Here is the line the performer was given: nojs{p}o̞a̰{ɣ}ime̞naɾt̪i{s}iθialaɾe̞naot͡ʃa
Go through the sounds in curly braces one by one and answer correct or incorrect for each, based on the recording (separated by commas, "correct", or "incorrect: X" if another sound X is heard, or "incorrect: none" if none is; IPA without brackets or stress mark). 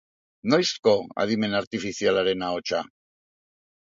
incorrect: k, incorrect: ð, incorrect: f